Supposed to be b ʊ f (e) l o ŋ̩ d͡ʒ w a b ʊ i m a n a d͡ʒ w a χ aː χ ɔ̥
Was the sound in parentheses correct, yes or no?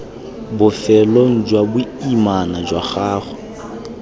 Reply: no